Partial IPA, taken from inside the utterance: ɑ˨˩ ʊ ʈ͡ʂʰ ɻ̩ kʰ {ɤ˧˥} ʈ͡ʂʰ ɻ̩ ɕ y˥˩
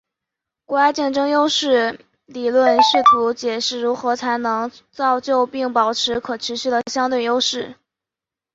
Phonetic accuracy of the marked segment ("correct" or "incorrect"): incorrect